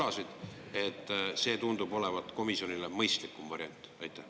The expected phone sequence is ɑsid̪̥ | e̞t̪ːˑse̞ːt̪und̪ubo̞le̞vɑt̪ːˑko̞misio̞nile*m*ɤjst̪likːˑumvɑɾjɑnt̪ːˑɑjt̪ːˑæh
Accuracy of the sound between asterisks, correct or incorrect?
correct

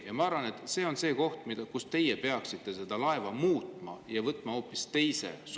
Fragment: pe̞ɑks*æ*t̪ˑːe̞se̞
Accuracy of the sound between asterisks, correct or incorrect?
incorrect: i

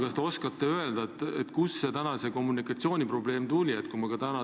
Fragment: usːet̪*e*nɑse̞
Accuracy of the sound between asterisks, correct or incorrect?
incorrect: æ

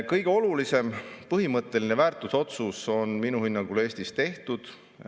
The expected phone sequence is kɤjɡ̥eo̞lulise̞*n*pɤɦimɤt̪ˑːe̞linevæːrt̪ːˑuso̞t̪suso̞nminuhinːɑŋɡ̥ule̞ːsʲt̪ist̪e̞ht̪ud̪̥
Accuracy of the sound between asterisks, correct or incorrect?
incorrect: m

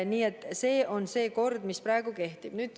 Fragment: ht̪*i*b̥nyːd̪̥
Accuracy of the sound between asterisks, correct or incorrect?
correct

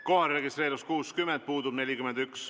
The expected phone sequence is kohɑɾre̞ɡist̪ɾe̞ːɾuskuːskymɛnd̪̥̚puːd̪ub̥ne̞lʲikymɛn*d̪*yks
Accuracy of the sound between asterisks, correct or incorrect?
correct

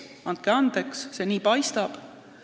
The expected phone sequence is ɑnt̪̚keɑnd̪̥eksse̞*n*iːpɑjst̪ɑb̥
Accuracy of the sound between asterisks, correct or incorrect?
correct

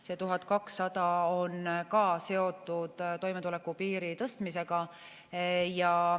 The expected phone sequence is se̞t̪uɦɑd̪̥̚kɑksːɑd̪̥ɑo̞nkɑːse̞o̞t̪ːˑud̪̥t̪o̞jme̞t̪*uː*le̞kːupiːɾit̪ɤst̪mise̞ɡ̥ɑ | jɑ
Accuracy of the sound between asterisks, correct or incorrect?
incorrect: u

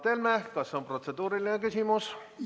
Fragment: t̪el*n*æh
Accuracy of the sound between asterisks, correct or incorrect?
incorrect: m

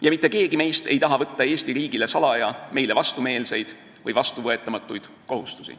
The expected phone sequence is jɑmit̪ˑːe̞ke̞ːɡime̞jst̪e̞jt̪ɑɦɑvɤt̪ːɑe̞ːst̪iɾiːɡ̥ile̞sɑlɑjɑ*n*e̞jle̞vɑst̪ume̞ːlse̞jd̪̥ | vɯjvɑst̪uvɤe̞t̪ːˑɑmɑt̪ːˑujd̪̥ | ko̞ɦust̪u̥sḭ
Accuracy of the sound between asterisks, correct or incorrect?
incorrect: m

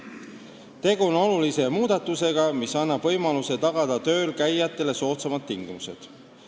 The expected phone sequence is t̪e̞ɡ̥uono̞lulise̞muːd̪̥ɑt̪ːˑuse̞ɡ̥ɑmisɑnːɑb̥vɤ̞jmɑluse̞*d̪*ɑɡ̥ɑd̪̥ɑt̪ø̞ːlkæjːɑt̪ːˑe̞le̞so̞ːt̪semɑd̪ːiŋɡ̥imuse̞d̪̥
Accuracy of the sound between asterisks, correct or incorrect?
incorrect: t̪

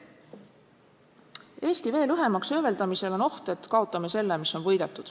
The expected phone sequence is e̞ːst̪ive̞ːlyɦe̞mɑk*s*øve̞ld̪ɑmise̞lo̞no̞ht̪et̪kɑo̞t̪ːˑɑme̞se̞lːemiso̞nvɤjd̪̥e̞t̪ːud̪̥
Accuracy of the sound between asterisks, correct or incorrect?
correct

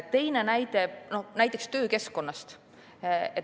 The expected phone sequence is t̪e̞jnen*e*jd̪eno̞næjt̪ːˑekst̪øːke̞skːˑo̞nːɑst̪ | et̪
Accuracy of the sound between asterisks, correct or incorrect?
incorrect: æ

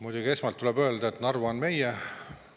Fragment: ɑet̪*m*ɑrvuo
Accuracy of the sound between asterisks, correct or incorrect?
incorrect: n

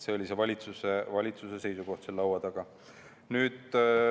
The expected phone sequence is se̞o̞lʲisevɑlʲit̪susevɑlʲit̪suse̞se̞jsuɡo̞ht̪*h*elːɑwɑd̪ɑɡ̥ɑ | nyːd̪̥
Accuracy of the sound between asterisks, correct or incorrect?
incorrect: s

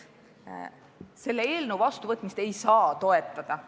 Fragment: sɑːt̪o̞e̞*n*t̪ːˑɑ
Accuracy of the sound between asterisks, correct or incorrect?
incorrect: none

